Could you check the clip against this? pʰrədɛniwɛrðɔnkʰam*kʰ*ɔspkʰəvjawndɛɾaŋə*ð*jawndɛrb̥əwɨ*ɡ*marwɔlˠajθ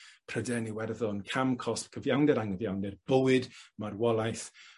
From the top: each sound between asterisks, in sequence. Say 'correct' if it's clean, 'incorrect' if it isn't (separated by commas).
correct, incorrect, incorrect